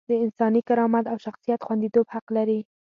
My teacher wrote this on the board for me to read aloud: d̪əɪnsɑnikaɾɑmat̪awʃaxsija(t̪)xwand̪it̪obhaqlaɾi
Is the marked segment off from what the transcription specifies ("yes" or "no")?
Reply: no